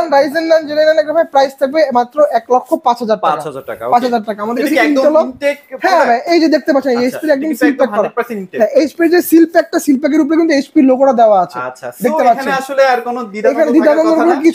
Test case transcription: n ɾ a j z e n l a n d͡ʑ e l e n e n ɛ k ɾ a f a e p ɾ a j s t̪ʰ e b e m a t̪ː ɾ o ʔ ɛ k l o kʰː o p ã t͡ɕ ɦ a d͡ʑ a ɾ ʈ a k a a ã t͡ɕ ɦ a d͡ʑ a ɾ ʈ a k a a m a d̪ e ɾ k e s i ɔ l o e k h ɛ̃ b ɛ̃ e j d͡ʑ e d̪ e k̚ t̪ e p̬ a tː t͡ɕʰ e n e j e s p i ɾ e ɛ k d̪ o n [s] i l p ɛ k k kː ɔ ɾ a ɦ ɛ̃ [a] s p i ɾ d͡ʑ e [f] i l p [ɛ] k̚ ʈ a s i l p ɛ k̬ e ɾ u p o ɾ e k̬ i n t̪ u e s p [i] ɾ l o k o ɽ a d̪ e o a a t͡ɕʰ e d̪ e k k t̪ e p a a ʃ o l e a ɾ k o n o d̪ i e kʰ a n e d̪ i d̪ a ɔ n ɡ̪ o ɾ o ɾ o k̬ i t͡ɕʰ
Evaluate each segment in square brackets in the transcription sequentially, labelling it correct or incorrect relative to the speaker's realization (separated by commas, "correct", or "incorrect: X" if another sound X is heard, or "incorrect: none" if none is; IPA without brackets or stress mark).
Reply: correct, incorrect: e, incorrect: s, correct, correct